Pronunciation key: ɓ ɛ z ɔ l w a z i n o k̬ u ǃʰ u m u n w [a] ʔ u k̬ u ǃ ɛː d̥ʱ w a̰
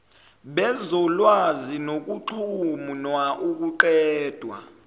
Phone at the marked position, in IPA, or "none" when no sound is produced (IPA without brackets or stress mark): a